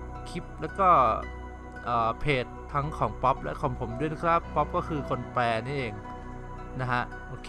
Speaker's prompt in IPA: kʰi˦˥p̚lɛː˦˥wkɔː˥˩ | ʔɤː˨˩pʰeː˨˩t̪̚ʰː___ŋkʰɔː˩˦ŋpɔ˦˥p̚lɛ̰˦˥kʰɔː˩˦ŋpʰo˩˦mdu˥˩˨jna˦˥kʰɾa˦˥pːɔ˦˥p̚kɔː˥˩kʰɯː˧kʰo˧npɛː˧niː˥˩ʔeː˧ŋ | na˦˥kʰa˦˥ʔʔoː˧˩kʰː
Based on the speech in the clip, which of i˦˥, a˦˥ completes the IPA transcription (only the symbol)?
a˦˥